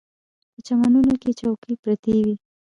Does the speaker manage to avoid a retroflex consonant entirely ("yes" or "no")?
yes